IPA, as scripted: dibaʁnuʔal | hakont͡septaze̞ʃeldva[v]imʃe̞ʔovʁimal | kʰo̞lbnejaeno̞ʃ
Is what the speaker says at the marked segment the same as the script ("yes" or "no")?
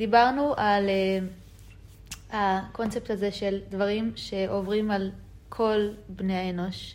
no